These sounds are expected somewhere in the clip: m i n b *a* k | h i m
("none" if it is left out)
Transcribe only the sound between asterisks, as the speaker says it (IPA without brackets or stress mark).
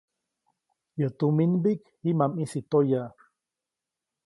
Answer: i